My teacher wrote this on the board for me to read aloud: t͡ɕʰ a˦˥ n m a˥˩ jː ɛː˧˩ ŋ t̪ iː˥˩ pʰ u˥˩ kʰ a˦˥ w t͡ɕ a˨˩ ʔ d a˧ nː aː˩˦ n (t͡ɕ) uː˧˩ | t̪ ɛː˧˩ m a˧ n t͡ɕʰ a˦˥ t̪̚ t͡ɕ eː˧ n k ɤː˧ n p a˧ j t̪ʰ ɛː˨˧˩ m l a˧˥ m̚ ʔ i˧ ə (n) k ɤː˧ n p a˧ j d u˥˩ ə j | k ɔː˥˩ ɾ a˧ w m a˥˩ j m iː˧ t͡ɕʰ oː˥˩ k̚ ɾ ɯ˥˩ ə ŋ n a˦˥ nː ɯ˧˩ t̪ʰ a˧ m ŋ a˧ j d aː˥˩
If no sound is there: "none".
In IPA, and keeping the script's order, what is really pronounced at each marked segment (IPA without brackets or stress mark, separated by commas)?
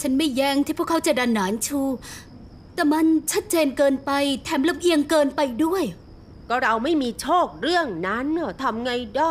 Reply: t͡ɕʰ, ŋ